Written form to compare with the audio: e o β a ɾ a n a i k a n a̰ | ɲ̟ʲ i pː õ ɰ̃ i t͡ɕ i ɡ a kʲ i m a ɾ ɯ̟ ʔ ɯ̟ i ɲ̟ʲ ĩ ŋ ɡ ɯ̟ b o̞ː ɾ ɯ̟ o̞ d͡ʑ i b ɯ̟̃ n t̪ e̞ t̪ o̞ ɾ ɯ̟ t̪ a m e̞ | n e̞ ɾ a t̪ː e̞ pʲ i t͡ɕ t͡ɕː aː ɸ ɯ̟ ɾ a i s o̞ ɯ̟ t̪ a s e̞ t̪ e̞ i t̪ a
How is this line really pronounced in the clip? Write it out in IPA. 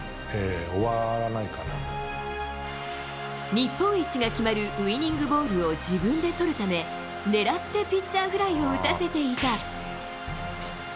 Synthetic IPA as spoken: e o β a ɾ a n a i k a n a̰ | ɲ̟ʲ i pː õ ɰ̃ i t͡ɕ i ɡ a kʲ i m a ɾ ɯ̟ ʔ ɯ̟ i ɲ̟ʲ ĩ ŋ ɡ ɯ̟ b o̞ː ɾ ɯ̟ o̞ d͡ʑ i b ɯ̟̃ n d̪ e̞ t̪ o̞ ɾ ɯ̟ t̪ a m e̞ | n e̞ ɾ a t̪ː e̞ pʲ i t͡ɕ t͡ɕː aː ɸ ɯ̟ ɾ a i o̞ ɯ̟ t̪ a s e̞ t̪ e̞ i t̪ a